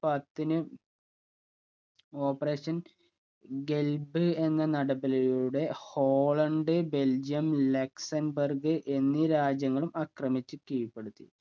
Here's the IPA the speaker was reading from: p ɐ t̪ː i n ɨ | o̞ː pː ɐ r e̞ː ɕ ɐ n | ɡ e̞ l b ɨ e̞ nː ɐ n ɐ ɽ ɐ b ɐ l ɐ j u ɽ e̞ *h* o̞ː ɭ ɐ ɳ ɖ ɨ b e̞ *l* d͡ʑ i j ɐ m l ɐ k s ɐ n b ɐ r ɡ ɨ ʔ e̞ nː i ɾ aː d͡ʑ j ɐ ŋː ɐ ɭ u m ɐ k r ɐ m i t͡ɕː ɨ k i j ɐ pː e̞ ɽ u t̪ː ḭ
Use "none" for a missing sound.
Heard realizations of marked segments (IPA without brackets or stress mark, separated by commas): h, l